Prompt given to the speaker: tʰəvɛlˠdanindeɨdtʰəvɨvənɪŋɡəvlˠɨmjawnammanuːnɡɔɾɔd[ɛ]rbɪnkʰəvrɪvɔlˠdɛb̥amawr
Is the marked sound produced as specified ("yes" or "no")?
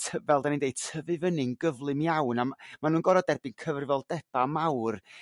yes